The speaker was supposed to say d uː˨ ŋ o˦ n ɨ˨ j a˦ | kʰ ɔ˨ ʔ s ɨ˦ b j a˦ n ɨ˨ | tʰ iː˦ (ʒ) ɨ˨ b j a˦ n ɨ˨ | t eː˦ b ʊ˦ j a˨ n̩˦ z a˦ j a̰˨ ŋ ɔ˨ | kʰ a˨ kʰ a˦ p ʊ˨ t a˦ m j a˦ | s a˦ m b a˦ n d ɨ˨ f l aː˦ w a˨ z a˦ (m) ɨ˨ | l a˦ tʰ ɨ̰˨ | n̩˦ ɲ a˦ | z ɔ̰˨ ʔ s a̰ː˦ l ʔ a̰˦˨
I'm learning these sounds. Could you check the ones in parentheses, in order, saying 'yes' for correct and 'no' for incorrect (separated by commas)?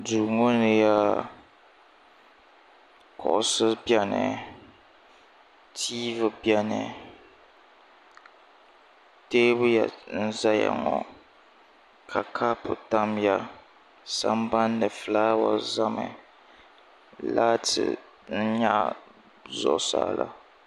no, yes